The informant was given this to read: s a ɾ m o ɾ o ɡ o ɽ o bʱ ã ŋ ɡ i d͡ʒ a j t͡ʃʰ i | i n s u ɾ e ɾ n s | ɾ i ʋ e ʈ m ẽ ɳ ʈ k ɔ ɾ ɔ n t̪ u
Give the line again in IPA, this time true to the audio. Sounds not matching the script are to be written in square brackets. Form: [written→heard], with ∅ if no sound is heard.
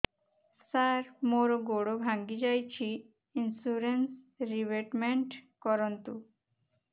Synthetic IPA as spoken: s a ɾ m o ɾ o ɡ o ɽ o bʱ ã ŋ ɡ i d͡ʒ a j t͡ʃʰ i | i n s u ɾ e [ɾ→∅] n s | ɾ i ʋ e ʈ m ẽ ɳ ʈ k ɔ ɾ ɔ n t̪ u